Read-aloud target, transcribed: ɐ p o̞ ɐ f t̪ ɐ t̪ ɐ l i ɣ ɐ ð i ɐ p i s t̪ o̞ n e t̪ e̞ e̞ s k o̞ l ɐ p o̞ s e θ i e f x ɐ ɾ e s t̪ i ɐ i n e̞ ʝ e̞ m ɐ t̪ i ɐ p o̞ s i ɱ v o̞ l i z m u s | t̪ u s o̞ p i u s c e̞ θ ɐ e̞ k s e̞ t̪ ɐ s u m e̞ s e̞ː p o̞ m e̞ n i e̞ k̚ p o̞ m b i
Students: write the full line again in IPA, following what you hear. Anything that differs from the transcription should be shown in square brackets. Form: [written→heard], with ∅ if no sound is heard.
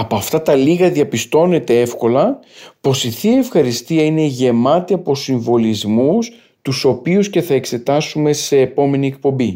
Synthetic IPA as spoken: ɐ p o̞ ɐ f t̪ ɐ t̪ ɐ l i ɣ ɐ ð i ɐ p i s t̪ o̞ n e t̪ e̞ e̞ [s→f] k o̞ l ɐ p o̞ s [e→i] θ i e f x ɐ ɾ [e→i] s t̪ i ɐ i n e̞ ʝ e̞ m ɐ t̪ i ɐ p o̞ s i ɱ v o̞ l i z m u s | t̪ u s o̞ p i u s c e̞ θ ɐ e̞ k s e̞ t̪ ɐ s u m e̞ s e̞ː p o̞ m e̞ n i e̞ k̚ p o̞ m b i